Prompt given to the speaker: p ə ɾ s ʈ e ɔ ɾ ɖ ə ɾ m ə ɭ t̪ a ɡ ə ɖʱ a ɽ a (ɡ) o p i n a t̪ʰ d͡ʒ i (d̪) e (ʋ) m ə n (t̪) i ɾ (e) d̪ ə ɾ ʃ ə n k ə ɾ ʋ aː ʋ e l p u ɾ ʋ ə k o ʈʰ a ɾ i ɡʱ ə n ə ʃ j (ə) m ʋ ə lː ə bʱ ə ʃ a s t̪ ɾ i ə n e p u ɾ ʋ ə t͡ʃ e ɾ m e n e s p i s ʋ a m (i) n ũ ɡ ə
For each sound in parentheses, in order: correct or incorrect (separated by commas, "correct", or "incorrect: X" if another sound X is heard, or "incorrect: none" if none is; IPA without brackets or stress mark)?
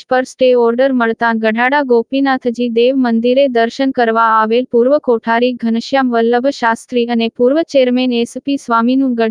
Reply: correct, correct, correct, incorrect: d̪, correct, incorrect: a, correct